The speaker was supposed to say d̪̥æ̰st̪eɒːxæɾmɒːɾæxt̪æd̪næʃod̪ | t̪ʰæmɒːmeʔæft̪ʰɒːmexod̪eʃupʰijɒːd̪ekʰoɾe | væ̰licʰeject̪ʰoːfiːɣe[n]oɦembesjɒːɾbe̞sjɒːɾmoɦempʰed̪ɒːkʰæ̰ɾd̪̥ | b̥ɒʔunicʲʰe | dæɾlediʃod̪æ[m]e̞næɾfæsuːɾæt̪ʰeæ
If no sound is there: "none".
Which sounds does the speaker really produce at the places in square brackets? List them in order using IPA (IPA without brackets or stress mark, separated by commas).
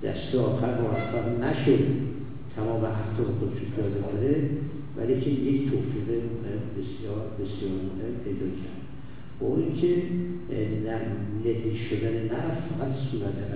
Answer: m, n